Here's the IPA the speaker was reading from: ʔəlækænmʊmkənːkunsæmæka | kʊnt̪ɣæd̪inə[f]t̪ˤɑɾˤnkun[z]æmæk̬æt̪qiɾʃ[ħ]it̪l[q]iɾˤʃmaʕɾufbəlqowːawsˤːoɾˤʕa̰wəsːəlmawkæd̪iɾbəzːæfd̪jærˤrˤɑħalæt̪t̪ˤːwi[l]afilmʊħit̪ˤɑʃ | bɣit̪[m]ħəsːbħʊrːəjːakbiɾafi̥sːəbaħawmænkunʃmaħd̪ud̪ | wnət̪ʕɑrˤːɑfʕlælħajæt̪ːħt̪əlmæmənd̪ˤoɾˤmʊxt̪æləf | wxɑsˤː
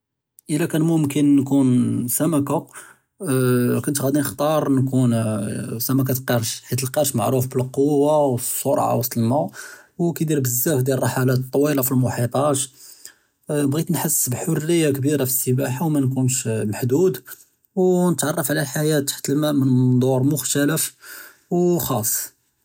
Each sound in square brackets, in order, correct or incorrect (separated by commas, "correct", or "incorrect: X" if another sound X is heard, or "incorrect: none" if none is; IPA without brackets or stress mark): incorrect: x, incorrect: s, correct, correct, correct, incorrect: n